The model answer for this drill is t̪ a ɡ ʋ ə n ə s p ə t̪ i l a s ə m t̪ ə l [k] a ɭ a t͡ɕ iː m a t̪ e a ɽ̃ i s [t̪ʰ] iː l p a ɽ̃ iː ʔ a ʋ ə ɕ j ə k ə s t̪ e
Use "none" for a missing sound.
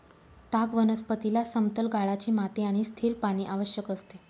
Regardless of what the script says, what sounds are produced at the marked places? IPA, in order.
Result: ɡ, t̪ʰ

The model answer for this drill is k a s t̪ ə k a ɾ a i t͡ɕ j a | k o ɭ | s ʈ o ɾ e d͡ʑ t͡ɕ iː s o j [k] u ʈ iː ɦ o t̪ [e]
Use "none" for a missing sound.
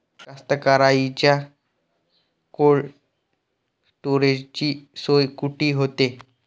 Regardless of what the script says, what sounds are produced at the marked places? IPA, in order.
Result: k, e

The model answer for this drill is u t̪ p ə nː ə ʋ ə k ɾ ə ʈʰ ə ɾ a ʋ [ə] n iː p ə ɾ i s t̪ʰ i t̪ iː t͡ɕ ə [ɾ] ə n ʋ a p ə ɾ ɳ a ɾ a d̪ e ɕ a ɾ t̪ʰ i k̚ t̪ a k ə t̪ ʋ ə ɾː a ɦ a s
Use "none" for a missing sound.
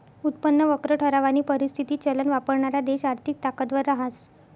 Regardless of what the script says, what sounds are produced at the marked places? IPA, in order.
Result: a, l

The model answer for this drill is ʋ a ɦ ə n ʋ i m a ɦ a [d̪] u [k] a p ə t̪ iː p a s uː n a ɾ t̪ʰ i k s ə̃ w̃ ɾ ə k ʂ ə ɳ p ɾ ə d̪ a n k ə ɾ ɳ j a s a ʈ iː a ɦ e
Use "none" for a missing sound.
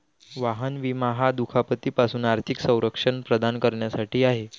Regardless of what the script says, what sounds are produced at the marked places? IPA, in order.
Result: d̪, kʰ

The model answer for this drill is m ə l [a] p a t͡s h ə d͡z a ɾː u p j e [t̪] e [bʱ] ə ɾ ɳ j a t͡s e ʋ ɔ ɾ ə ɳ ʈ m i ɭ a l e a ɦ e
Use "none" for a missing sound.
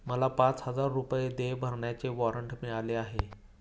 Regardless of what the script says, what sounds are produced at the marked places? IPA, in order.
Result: a, d̪, bʱ

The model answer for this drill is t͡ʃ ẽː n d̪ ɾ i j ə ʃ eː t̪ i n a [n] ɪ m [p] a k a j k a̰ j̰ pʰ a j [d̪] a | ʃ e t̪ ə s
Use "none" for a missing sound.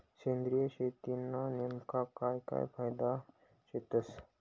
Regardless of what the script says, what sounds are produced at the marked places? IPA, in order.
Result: n, k, d̪

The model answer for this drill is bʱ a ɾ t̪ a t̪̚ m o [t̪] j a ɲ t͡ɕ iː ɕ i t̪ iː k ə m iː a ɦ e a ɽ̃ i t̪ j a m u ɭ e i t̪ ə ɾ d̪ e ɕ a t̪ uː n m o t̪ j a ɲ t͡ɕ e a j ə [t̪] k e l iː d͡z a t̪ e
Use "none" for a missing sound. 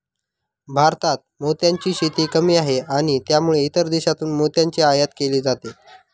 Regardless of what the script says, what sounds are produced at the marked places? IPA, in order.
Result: t̪, t̪

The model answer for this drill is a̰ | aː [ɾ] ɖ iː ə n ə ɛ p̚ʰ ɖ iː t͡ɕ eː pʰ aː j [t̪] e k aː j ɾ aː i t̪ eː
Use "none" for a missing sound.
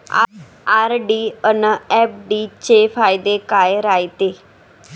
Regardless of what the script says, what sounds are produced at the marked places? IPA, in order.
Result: ɾ, d̪

